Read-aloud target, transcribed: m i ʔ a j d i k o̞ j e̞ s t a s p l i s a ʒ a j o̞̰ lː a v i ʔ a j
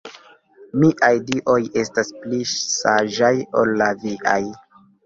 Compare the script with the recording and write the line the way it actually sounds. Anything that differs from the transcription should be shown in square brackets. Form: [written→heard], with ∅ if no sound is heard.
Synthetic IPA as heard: m i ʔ a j d i [k→ʔ] o̞ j e̞ s t a s p l i s a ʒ a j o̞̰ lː a v i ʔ a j